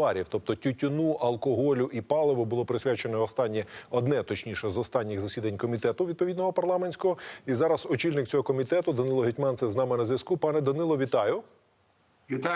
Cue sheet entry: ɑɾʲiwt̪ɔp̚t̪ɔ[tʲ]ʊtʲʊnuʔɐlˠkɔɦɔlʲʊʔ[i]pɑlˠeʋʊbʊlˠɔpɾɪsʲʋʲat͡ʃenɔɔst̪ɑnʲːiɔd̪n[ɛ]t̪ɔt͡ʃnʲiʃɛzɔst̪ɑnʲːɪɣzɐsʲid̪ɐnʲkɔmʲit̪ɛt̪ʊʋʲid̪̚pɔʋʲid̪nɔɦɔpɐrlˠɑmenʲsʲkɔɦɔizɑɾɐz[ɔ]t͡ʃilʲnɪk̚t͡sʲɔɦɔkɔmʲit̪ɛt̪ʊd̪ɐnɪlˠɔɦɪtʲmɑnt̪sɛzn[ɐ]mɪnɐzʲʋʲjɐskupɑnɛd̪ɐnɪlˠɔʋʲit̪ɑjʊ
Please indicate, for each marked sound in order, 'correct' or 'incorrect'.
correct, correct, correct, correct, incorrect

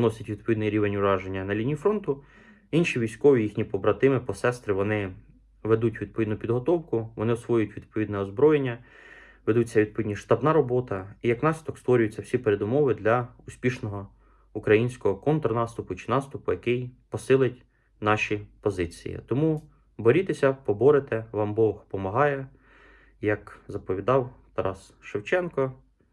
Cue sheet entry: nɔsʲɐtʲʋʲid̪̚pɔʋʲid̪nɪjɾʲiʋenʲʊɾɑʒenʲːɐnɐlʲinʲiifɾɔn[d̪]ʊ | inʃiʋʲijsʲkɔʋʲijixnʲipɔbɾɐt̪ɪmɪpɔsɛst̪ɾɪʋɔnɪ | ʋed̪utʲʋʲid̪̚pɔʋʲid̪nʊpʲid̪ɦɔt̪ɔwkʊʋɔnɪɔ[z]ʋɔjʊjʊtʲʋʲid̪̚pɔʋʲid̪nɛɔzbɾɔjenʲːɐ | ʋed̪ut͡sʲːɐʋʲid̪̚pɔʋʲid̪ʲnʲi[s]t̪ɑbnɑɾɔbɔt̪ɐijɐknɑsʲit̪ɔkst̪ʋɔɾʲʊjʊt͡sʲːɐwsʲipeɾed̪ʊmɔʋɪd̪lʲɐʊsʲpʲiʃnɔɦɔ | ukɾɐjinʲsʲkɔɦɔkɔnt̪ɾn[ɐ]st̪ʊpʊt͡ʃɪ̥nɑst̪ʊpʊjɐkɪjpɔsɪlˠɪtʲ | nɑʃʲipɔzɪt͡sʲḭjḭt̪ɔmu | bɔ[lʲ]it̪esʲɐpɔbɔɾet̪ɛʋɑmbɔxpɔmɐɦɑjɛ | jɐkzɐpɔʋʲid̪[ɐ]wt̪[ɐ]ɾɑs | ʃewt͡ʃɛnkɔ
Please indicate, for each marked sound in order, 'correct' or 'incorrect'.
incorrect, incorrect, incorrect, incorrect, incorrect, incorrect, correct

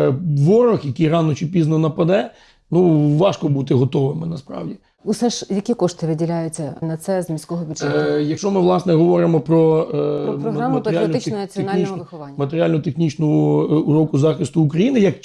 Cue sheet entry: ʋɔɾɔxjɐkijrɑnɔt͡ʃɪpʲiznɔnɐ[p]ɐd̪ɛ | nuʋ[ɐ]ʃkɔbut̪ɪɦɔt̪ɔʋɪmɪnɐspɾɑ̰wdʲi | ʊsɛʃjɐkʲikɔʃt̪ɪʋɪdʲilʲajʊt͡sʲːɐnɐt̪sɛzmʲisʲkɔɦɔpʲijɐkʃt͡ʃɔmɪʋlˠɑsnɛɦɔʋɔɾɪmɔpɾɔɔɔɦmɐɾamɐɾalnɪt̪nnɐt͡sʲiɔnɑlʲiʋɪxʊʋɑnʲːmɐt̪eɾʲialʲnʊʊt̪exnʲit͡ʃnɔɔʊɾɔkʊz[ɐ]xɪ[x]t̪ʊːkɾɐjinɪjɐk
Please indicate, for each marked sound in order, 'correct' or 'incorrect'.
correct, incorrect, incorrect, incorrect

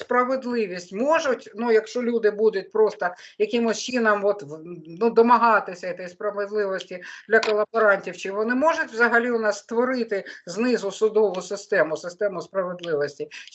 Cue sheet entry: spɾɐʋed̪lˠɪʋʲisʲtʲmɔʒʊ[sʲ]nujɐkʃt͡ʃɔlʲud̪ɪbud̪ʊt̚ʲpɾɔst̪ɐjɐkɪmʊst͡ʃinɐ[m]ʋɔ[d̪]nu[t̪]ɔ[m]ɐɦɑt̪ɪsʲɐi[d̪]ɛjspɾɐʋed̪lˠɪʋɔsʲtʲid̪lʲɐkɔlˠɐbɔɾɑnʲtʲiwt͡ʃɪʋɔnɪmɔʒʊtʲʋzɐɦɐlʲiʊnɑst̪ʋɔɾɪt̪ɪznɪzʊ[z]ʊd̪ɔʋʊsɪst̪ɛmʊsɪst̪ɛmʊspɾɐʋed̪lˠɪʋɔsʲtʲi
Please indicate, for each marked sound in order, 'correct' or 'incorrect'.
incorrect, correct, incorrect, incorrect, correct, incorrect, incorrect

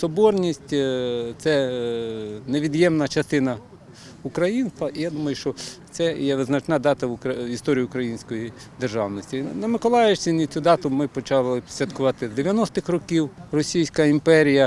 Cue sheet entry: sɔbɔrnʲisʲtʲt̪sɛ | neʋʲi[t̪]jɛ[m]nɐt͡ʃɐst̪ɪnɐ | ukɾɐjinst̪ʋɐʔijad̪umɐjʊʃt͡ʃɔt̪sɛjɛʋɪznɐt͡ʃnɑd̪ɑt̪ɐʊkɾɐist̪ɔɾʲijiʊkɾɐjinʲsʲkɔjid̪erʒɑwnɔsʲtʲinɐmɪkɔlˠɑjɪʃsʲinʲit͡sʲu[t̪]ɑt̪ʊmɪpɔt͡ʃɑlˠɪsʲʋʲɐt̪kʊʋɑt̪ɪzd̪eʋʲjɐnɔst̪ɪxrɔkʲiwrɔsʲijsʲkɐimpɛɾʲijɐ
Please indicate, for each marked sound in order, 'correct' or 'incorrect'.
incorrect, correct, incorrect

